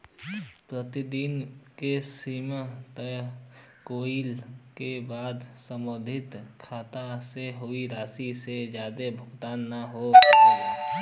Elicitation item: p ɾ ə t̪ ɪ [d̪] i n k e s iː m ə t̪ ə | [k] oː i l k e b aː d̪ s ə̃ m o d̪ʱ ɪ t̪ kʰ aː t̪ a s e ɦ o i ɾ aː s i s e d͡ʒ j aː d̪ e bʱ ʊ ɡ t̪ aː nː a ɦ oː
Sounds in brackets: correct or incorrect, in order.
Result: correct, correct

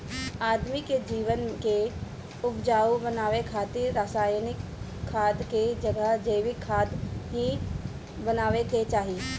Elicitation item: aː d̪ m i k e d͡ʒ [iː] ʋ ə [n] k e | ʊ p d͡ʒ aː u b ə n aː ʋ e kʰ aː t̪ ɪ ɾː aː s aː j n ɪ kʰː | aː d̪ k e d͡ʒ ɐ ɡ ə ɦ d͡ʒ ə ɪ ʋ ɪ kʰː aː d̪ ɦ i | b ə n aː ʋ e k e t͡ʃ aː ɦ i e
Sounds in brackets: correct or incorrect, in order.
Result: correct, correct

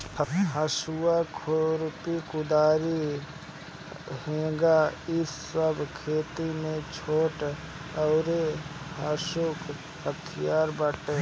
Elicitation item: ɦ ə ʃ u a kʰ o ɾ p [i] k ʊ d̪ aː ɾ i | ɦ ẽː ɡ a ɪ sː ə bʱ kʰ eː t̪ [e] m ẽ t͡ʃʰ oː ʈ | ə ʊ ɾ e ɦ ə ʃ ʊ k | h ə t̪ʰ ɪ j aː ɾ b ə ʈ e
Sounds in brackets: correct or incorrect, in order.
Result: correct, incorrect

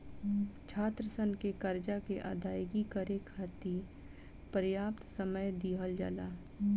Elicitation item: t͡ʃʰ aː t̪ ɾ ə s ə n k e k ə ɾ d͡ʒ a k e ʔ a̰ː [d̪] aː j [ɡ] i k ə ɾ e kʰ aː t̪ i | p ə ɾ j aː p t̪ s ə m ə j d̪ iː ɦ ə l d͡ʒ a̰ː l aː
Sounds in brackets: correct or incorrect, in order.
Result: correct, correct

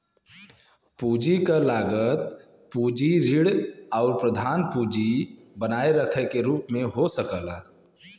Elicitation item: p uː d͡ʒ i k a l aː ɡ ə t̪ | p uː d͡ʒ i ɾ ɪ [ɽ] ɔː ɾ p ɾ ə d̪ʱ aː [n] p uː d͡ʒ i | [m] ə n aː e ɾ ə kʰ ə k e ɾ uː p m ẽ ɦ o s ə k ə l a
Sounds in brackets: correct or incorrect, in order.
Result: correct, correct, incorrect

